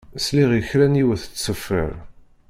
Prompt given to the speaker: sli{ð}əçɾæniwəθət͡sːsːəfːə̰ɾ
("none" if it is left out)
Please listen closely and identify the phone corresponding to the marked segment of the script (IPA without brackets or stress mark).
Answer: ʁ